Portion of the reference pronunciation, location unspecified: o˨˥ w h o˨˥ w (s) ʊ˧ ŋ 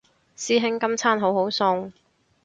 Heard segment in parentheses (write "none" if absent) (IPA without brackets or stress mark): s